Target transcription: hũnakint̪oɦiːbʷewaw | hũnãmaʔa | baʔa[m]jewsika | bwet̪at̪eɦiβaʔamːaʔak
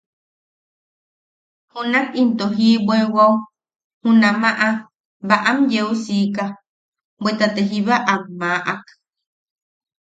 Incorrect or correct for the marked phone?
correct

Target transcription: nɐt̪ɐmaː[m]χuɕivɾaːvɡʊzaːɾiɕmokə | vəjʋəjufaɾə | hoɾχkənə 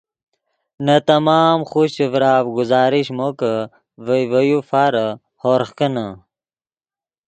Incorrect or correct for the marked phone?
correct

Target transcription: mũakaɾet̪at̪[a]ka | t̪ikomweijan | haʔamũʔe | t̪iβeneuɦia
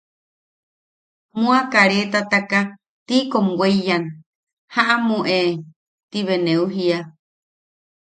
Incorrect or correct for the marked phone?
correct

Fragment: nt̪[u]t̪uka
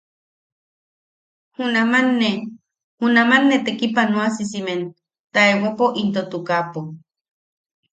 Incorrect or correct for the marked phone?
incorrect: o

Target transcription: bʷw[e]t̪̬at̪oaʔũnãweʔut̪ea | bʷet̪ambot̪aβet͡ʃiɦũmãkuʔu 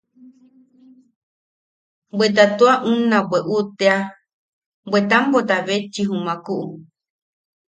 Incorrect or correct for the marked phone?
correct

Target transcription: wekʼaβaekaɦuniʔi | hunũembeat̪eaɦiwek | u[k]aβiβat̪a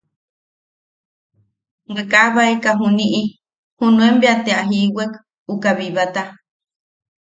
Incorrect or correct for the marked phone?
correct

